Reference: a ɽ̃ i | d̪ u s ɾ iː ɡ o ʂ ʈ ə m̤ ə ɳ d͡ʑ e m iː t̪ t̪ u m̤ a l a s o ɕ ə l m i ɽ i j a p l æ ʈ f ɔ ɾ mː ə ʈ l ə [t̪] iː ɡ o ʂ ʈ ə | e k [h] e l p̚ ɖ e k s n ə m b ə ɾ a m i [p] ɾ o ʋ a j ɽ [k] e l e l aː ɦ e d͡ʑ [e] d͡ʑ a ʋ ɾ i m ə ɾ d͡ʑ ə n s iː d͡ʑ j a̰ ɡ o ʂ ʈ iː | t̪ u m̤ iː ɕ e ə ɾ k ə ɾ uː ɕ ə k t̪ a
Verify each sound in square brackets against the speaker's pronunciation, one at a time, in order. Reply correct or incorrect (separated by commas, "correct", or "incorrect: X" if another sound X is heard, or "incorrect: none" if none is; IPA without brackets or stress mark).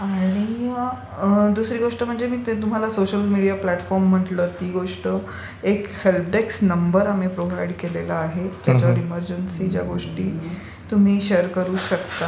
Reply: correct, correct, correct, correct, incorrect: a